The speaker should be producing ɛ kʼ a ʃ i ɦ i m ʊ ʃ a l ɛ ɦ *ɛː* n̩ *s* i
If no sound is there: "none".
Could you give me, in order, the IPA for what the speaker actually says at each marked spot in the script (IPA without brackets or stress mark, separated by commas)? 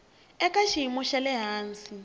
aː, s